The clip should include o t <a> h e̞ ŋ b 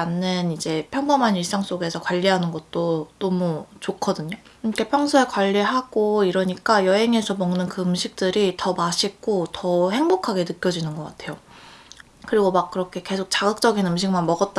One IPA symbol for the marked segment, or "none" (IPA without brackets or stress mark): ʌ